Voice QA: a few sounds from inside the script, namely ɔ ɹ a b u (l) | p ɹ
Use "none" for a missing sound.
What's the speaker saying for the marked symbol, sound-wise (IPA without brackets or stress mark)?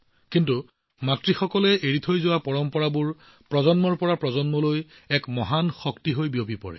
ɹ